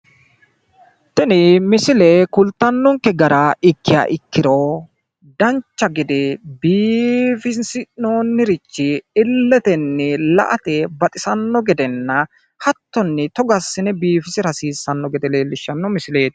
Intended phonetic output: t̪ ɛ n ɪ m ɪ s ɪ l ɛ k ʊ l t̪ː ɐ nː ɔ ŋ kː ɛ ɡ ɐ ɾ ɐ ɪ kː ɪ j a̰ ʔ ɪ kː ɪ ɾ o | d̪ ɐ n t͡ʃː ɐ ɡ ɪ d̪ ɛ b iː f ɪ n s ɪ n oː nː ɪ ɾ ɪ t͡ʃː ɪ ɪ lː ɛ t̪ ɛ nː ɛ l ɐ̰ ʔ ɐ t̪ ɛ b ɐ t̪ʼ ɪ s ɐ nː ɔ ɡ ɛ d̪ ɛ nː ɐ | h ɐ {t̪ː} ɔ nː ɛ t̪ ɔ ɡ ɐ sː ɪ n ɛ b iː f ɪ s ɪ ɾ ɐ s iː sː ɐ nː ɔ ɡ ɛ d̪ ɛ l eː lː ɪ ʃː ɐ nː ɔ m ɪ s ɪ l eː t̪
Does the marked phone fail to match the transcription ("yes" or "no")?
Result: no